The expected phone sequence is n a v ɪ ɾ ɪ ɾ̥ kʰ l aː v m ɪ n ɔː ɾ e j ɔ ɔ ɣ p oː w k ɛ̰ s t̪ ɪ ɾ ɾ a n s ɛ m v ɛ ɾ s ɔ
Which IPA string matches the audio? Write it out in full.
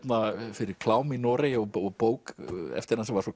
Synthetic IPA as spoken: n a f ɪ ɾ ɪ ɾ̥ kʰ l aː w m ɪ n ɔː ɾ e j ɔ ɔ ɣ p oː w k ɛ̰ f t̪ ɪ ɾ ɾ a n s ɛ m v a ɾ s ɔ